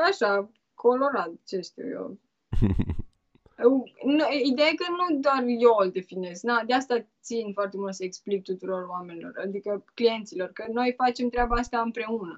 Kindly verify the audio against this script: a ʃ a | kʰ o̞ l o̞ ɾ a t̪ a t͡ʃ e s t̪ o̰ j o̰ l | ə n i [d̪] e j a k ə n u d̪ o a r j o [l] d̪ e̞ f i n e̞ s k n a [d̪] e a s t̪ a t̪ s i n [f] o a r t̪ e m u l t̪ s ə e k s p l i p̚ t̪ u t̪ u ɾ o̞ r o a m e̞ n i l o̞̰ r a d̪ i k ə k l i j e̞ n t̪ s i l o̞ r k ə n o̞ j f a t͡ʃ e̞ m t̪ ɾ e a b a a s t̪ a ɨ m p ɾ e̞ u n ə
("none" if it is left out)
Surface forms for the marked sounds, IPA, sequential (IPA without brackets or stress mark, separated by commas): d̪, l, d̪, f